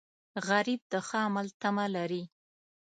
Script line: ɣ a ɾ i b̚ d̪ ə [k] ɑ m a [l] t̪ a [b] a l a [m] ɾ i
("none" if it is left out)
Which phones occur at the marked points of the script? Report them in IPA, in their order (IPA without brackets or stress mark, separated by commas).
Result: x, l, m, none